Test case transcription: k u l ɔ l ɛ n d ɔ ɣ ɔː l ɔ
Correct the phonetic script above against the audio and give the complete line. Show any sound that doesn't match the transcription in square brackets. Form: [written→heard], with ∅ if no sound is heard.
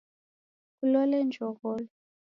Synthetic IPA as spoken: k u l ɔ l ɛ n [d→d͡ʒʱ] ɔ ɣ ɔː l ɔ